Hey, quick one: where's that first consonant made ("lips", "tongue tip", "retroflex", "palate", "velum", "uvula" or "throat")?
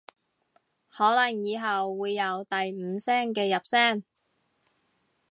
throat